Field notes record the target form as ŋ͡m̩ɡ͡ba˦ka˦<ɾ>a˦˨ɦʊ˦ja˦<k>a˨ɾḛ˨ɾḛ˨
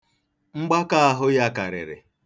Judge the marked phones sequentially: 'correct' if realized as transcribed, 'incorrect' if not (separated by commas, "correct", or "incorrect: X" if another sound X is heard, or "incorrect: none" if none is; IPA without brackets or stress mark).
incorrect: none, correct